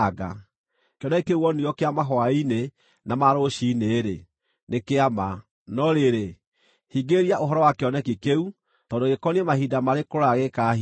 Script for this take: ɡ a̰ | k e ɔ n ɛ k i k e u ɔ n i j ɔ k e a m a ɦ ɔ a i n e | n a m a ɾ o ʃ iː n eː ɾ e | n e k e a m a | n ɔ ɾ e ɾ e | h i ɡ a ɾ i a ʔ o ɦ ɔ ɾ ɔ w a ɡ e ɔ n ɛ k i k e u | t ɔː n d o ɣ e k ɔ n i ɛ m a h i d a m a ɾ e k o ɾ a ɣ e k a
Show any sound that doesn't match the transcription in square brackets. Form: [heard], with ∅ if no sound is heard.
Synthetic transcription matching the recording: ɡ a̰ | k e ɔ n ɛ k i k e u ɔ n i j ɔ k e a m a ɦ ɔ a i n e | n a m a ɾ o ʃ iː n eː ɾ e | n e k e a m a | n ɔ ɾ e ɾ e | h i ɡ [e] ɾ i a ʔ o ɦ ɔ ɾ ɔ w a [k] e ɔ n ɛ k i k e u | t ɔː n d o ɣ e k ɔ n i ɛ m a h i d a m a ɾ e k o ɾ a ɣ e k a